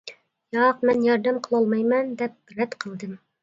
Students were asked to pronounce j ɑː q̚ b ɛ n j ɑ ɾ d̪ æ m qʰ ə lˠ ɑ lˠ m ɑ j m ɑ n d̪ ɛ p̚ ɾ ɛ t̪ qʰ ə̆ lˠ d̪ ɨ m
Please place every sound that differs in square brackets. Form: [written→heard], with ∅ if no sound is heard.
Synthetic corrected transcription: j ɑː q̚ [b→m] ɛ n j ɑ ɾ d̪ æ m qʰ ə lˠ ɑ lˠ m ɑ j m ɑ n d̪ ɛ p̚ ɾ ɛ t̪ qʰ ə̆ lˠ d̪ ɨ m